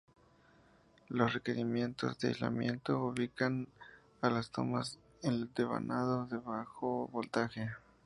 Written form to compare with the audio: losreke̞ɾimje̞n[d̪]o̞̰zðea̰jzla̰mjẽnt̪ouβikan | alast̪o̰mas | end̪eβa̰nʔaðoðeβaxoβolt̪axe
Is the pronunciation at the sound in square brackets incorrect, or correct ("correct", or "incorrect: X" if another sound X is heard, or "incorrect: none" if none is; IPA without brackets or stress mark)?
incorrect: t̪